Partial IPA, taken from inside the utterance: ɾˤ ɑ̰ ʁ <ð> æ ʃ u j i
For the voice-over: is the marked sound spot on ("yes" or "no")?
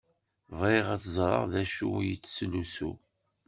yes